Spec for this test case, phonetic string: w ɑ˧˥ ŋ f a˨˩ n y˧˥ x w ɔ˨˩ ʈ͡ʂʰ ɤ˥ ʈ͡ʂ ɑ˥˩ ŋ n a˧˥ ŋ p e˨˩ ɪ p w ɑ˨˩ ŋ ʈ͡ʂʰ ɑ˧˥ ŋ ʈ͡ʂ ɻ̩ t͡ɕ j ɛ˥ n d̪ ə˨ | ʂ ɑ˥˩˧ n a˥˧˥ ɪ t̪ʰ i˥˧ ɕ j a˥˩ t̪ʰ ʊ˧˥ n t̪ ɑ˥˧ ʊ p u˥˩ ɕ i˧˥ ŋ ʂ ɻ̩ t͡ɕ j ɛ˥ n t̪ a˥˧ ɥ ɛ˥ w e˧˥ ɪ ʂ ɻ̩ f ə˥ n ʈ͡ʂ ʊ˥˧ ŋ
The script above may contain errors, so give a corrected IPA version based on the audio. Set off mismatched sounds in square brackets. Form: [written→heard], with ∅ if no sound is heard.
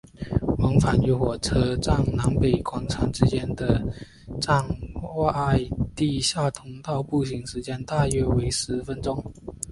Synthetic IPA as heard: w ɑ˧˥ ŋ f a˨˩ n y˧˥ x w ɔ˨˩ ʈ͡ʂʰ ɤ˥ ʈ͡ʂ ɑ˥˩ ŋ n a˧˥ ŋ p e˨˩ ɪ [p→k] w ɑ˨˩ ŋ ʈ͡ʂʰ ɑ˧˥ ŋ ʈ͡ʂ ɻ̩ t͡ɕ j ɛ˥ n d̪ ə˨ | [ʂ→ʈ͡ʂ] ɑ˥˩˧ [n→ŋ] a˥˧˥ ɪ [t̪ʰ→t̪] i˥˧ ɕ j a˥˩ t̪ʰ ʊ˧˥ [n→ŋ] t̪ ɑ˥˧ ʊ p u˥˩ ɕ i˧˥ ŋ ʂ ɻ̩ t͡ɕ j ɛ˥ n t̪ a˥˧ ɥ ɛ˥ w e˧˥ ɪ ʂ ɻ̩ f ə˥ n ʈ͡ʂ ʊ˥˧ ŋ